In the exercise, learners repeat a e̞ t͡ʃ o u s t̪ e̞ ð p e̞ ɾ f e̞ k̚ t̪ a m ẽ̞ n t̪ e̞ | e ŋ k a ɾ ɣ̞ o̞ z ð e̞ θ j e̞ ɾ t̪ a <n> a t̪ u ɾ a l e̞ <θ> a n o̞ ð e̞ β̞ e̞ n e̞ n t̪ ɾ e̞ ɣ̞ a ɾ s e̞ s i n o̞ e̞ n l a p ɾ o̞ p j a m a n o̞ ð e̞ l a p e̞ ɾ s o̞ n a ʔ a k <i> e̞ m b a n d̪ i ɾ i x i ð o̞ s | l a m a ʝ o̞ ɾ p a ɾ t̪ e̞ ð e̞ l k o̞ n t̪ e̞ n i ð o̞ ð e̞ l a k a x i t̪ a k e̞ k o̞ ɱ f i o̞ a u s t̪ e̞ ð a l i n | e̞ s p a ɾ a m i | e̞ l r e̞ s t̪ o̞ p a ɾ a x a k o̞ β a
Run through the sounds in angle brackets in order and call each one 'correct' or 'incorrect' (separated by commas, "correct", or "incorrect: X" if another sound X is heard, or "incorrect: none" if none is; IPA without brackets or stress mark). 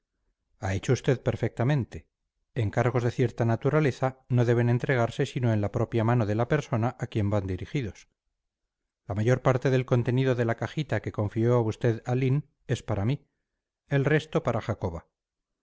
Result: correct, correct, incorrect: j